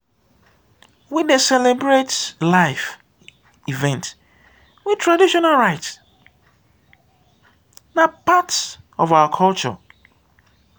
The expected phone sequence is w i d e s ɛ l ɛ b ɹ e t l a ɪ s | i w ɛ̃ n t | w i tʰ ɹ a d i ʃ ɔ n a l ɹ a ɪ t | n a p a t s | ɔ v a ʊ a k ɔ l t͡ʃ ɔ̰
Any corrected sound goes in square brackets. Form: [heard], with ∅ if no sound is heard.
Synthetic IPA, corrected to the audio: w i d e s ɛ l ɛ b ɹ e t l a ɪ [f] | i [v] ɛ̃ n t | w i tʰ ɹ a d i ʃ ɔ n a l ɹ a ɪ t | n a p a t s | ɔ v a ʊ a [kʰ] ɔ l t͡ʃ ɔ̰